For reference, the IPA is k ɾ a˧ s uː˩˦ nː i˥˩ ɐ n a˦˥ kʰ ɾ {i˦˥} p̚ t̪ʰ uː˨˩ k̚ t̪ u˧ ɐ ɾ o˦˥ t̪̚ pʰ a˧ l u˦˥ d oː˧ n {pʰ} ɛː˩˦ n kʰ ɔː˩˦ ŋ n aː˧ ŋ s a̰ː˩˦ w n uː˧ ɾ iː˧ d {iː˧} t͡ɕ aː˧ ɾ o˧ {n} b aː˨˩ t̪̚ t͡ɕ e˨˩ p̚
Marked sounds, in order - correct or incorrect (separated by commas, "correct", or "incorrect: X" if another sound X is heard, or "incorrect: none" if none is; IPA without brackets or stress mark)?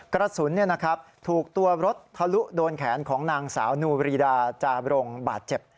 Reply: incorrect: a˦˥, incorrect: kʰ, incorrect: aː˧, incorrect: ŋ